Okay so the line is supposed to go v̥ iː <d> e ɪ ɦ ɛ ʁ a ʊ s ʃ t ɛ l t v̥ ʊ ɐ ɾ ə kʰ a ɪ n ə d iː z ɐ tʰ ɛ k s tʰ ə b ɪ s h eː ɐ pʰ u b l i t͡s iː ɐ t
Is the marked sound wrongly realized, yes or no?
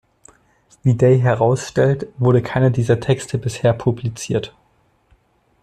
no